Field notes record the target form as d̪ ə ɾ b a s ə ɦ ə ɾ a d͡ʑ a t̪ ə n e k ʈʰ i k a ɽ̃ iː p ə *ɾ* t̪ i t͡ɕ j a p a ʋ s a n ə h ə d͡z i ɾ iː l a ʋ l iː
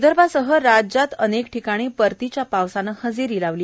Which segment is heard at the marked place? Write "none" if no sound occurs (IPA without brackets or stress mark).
ɾ